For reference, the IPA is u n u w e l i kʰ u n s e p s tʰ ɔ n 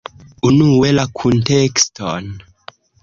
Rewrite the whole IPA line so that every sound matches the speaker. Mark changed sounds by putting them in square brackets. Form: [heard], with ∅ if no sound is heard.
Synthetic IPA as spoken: u n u w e l [a] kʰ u n [t] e [k] s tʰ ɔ n